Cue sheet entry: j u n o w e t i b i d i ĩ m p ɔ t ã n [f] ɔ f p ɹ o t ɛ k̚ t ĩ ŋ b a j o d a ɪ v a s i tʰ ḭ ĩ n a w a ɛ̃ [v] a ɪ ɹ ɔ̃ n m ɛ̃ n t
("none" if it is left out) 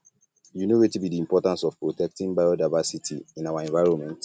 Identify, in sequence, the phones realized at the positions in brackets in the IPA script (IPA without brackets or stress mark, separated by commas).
s, v